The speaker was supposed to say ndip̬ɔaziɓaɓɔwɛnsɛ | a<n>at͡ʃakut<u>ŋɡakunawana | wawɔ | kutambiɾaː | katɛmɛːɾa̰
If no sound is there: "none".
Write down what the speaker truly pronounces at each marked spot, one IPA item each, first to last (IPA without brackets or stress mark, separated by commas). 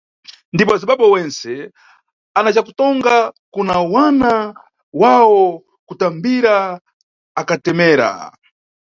n, ɔ